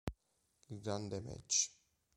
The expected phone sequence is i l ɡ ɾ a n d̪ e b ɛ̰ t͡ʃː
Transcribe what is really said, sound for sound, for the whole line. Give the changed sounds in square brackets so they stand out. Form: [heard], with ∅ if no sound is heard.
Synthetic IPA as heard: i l ɡ ɾ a n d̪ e [m] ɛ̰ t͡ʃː

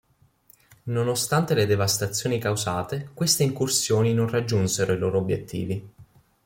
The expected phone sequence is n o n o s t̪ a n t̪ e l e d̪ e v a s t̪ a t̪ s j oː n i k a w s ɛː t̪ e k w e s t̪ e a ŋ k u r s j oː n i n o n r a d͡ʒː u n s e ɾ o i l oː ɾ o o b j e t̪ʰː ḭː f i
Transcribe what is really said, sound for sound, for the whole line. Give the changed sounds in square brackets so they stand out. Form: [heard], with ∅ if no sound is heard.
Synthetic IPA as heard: n o n o s t̪ a n t̪ e l e d̪ e v a s t̪ a t̪ [sː] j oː n i k a w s [aː] t̪ e k w e s t̪ e [i] ŋ k u r s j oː n i n o n r a d͡ʒː u n s e ɾ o i l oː ɾ o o b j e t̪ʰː ḭː [v] i

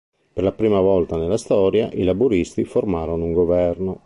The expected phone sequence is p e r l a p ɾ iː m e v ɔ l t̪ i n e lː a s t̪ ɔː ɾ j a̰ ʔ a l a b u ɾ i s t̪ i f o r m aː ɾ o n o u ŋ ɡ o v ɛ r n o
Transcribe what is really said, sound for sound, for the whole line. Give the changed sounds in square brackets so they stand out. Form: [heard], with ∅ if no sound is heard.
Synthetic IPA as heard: p e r l a p ɾ iː m [a] v ɔ l t̪ [a] n e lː a s t̪ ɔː ɾ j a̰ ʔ [i] l a b u ɾ i s t̪ i f o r m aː ɾ o n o u ŋ ɡ o v ɛ r n o

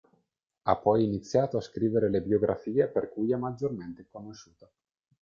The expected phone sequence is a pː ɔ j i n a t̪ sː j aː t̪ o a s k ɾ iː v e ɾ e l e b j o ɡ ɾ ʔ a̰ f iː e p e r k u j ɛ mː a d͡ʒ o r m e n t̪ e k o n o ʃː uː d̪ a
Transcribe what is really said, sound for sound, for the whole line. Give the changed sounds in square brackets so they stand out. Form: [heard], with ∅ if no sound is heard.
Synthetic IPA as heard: a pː ɔ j i n [i] t̪ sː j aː t̪ o a s k ɾ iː v e ɾ e l e b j o ɡ ɾ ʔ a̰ f iː e p e r k u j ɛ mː a d͡ʒ o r m e n t̪ e k o n o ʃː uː [t̪] a

